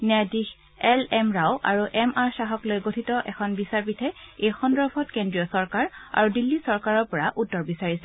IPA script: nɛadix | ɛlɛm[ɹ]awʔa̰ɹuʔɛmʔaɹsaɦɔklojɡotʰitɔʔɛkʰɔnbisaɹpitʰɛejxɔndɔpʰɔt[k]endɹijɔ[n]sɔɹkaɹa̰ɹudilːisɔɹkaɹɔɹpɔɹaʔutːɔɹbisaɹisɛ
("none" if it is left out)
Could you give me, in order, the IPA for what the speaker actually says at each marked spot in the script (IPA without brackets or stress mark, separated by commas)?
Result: ɹ, k, none